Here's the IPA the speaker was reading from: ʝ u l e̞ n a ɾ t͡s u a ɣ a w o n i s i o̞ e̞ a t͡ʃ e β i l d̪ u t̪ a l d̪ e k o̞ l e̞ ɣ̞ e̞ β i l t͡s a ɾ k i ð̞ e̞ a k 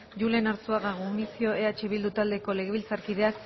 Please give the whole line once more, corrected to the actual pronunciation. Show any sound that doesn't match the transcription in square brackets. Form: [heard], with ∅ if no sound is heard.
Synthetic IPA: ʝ u l e̞ n a ɾ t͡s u a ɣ a [ɣ] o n i s i o̞ e̞ a t͡ʃ e β i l d̪ u t̪ a l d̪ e k o̞ l e̞ ɣ̞ e̞ β i l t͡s a ɾ k i ð̞ e̞ a k